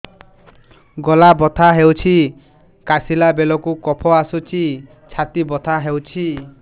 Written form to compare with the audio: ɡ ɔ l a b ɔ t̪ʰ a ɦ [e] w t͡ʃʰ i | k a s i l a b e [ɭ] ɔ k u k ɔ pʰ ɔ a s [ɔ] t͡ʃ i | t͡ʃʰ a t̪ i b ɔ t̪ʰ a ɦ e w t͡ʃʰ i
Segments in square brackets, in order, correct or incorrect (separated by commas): correct, incorrect, incorrect